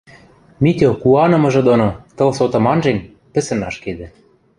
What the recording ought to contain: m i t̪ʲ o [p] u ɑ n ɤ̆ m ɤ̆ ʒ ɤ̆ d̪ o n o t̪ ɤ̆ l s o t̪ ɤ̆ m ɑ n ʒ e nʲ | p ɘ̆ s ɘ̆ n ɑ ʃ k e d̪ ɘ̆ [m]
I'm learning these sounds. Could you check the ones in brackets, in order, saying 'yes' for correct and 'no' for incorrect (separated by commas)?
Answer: no, no